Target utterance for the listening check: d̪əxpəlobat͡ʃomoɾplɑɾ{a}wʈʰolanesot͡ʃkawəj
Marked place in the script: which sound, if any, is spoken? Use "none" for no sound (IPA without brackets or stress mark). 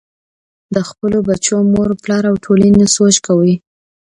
a